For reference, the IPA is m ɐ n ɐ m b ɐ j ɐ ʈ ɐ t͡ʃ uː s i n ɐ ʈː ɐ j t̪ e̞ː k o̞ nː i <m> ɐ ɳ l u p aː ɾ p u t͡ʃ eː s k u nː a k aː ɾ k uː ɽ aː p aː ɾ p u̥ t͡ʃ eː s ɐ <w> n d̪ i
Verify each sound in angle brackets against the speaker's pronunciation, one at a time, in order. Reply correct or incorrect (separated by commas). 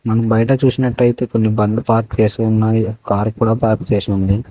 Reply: incorrect, incorrect